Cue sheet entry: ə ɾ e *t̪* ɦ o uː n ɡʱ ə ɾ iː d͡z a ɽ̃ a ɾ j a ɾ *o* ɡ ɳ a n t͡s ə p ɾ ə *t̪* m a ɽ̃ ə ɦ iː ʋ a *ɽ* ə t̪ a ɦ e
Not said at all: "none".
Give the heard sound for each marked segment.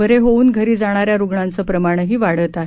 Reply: none, u, none, ɽ

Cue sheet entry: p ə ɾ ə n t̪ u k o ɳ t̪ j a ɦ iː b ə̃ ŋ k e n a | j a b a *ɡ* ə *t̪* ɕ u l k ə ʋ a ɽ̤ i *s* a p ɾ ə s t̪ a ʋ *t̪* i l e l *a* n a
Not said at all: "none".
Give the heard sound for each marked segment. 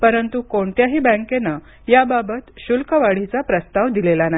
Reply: b, t̪, t͡s, d̪, a

